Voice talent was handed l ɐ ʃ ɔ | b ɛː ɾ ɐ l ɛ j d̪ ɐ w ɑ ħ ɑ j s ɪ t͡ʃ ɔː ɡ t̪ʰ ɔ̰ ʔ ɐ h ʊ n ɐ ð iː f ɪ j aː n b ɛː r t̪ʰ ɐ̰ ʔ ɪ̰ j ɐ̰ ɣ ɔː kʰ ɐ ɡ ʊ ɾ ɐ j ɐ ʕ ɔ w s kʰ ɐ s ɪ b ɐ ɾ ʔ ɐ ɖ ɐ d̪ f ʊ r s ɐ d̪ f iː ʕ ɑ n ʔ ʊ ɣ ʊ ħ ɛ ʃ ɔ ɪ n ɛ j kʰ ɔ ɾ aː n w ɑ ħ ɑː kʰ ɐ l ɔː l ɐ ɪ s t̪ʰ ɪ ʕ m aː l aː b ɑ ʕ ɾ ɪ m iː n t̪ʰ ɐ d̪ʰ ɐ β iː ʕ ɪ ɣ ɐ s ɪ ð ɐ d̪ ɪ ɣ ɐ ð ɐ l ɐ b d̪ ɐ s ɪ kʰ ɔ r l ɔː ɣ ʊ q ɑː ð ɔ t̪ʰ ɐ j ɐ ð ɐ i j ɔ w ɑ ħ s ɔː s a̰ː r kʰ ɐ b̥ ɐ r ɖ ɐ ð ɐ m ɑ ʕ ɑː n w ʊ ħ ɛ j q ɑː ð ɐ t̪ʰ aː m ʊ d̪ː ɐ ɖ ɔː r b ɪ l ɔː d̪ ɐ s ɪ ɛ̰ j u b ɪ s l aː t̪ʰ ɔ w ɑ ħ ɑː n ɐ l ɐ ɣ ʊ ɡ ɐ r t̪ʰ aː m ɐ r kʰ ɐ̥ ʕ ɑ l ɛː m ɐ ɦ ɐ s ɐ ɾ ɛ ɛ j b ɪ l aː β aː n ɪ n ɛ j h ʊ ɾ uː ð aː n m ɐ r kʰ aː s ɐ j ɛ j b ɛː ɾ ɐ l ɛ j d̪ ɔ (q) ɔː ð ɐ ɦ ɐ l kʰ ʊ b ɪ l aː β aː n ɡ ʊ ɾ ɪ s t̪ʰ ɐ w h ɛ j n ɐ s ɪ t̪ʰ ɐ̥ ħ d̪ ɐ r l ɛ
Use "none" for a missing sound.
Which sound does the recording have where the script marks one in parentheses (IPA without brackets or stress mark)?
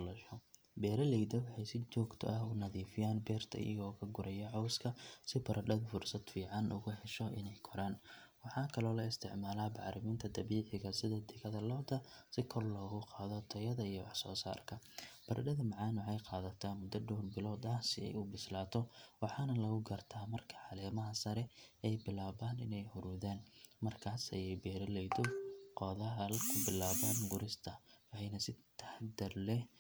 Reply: q